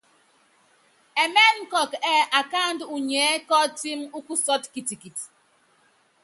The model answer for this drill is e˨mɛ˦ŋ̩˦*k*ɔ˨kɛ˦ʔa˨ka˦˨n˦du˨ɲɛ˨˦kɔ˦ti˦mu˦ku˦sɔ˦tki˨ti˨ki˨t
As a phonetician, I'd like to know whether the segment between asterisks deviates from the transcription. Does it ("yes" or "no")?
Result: no